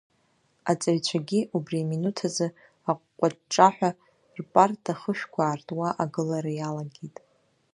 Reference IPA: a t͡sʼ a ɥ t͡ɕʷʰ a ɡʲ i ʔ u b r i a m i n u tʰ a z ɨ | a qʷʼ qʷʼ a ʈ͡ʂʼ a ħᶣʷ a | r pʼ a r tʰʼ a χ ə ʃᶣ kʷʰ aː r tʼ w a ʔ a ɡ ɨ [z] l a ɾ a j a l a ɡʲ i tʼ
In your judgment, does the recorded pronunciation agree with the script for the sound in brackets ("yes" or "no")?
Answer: no